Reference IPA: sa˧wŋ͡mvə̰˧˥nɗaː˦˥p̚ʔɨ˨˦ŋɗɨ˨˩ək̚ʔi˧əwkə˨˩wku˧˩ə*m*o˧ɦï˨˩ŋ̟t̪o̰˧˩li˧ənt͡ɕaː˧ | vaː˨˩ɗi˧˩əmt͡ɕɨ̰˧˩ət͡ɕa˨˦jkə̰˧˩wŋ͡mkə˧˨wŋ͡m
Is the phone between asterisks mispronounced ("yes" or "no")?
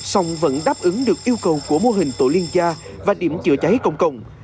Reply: no